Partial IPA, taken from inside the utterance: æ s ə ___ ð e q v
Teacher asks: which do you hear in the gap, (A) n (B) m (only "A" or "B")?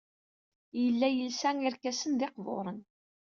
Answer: A